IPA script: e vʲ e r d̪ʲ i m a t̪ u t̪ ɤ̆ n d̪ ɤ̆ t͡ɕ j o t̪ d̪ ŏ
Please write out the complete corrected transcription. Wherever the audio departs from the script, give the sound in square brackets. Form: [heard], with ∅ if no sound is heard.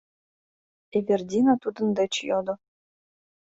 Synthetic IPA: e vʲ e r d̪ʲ i [n] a t̪ u [d̪] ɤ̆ n d̪ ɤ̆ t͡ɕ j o [∅] d̪ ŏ